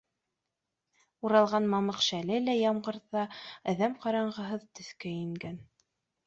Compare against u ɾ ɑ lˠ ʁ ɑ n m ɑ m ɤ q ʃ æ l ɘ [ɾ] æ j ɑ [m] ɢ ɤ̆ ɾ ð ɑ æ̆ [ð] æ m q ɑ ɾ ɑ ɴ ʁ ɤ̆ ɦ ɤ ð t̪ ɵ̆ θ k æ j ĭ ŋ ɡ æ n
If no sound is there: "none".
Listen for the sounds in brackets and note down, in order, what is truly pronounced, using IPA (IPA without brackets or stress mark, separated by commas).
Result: l, m, ð